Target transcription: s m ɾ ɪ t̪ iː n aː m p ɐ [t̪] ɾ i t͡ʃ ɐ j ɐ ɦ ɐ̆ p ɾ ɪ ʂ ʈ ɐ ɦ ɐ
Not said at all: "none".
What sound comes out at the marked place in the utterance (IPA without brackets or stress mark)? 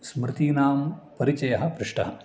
none